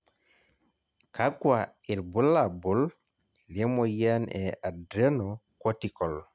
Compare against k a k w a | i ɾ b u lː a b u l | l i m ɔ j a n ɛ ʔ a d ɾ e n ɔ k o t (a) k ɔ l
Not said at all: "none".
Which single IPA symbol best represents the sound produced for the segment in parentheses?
i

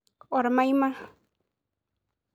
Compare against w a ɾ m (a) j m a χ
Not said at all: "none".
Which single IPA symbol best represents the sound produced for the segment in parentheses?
a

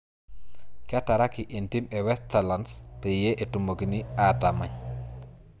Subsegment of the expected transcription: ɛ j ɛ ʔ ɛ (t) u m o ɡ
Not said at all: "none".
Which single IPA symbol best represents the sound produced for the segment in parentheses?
t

